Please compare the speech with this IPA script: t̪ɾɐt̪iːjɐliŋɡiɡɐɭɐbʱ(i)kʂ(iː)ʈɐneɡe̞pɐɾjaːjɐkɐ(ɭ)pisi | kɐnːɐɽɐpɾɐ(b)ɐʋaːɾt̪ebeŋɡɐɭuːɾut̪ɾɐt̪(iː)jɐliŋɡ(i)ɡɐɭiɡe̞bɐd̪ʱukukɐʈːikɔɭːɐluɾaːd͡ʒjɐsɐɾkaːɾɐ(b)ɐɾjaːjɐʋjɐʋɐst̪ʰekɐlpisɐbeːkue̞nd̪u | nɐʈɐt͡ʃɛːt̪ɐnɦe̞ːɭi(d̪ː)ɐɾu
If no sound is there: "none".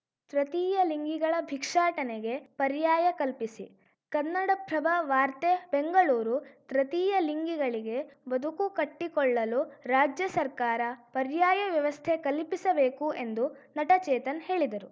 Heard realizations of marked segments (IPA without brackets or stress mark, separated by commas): i, aː, l, b, iː, i, p, d̪